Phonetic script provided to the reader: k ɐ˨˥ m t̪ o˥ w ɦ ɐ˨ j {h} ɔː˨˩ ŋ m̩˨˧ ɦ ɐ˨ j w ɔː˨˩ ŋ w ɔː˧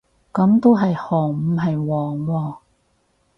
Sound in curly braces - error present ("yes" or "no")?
no